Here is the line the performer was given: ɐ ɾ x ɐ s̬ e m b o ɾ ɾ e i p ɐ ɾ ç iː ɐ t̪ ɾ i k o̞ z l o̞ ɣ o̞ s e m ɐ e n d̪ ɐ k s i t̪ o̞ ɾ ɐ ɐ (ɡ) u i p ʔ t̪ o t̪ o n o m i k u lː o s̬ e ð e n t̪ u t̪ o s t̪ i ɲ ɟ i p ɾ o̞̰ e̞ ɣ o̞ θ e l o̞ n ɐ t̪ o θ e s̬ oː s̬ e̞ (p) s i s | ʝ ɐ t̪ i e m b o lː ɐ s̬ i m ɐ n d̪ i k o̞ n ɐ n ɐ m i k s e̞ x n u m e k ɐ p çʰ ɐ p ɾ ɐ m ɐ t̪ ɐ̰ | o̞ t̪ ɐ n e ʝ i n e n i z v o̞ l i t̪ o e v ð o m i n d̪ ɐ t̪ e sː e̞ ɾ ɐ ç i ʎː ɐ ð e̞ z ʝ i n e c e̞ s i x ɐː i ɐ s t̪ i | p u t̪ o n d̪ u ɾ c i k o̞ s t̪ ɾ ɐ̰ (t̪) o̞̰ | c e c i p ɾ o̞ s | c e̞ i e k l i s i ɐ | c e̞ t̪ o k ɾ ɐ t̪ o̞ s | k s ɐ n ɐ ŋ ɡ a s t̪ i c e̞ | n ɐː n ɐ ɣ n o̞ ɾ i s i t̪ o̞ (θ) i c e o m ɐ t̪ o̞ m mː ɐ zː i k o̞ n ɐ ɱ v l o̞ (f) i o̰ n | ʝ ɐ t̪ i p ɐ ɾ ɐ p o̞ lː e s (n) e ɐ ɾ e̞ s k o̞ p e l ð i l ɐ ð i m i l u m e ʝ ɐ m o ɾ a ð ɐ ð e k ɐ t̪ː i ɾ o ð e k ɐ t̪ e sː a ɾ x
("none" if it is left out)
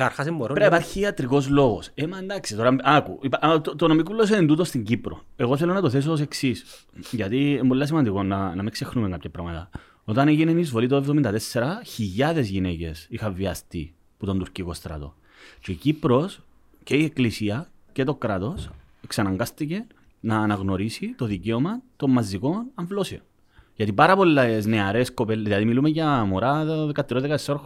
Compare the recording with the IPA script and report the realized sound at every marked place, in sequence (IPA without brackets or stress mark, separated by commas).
k, k, t̪, ð, s, n